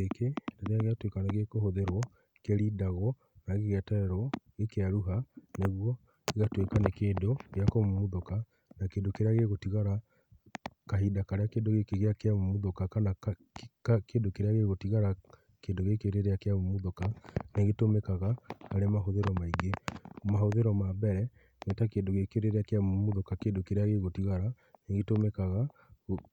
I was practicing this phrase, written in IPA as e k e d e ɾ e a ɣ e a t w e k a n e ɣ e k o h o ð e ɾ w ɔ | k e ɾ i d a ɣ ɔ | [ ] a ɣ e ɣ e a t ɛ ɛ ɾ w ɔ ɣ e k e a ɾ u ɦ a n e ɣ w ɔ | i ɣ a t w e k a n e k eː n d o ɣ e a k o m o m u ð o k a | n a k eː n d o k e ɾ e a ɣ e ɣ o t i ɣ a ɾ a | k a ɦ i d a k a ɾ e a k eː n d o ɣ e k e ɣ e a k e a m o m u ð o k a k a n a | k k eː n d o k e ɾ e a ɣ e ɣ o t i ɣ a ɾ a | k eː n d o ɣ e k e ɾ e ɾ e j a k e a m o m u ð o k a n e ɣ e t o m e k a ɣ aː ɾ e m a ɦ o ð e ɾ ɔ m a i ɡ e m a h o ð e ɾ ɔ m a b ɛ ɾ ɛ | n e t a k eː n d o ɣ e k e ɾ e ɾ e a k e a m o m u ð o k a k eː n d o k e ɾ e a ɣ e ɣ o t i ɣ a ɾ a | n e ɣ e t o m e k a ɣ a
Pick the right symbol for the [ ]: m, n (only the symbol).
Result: n